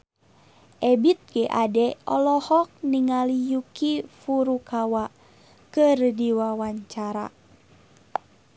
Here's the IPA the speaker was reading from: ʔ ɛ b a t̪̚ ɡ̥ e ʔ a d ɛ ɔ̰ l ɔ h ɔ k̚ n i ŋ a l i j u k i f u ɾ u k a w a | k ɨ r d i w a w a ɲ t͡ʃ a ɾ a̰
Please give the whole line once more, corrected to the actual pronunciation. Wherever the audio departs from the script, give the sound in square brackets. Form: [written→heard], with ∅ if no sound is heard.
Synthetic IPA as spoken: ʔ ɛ b [a→i] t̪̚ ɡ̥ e ʔ a d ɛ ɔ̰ l ɔ h ɔ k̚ n i ŋ a l i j u k i f u ɾ u k a w a | k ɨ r d i w a w a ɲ t͡ʃ a ɾ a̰